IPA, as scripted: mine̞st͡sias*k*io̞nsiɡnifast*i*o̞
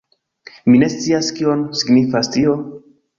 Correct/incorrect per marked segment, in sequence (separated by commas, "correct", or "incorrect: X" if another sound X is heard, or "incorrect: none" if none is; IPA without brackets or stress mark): correct, correct